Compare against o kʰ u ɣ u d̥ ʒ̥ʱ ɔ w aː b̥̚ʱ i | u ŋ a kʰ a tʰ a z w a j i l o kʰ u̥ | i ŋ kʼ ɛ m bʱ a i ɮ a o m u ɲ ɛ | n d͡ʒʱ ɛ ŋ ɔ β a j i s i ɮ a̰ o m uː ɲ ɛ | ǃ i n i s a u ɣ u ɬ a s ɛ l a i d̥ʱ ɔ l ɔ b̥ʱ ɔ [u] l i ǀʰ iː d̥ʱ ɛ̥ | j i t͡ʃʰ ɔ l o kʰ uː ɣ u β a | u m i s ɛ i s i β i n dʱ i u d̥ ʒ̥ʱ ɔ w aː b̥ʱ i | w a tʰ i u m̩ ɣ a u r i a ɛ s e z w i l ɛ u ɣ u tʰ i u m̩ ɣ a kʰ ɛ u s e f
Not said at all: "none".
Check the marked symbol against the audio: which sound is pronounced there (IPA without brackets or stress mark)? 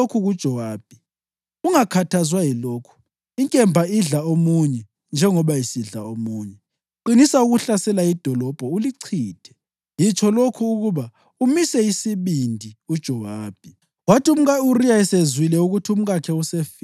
u